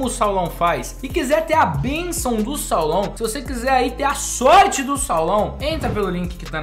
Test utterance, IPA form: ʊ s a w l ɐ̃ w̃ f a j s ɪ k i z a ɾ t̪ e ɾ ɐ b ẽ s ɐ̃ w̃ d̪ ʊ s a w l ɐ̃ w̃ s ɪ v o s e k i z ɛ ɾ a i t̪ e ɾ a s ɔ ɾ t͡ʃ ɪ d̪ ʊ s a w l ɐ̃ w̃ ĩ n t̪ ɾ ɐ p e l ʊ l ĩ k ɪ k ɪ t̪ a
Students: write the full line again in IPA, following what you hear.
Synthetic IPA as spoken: ʊ s a w l ɐ̃ w̃ f a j s ɪ k i z ɛ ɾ t̪ e ɾ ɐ b ẽ s ɐ̃ w̃ d̪ ʊ s a w l ɐ̃ w̃ s ɪ v o s e k i z ɛ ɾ a i t̪ e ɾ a s ɔ ɾ t͡ʃ ɪ d̪ ʊ s a w l ɐ̃ w̃ ẽ n t̪ ɾ ɐ p e l ʊ l ĩ k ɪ k ɪ t̪ a